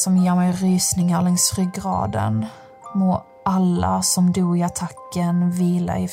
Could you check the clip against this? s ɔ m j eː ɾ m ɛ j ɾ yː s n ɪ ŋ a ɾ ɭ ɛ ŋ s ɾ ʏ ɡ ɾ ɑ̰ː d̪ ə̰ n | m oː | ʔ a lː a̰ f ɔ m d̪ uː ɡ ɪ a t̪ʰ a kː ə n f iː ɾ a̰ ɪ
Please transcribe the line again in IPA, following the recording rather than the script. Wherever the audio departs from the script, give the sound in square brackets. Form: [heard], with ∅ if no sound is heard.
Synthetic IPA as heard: s ɔ m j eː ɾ m ɛ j ɾ yː s n ɪ ŋ a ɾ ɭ ɛ ŋ s ɾ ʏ ɡ ɾ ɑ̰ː d̪ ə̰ n | m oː | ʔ a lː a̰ [s] ɔ m d̪ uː ɡ ɪ a t̪ʰ a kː ə n [v] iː [l] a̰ ɪ